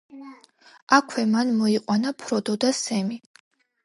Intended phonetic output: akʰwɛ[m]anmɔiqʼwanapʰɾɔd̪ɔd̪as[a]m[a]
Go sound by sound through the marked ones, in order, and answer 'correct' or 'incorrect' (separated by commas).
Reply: correct, incorrect, incorrect